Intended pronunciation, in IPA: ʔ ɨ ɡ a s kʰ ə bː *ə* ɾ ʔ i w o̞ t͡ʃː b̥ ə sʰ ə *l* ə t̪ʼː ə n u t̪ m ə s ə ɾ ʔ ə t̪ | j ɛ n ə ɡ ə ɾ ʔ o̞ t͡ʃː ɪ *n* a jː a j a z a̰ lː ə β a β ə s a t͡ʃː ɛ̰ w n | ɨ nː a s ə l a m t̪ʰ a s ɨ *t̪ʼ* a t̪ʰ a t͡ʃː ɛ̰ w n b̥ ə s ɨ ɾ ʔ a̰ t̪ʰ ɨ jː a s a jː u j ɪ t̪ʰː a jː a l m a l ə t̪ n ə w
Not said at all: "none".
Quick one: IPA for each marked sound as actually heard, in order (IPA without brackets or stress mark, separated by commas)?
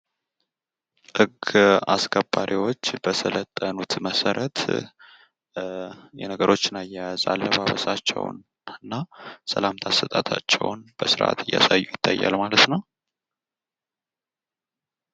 a, l, n, t̪ʼ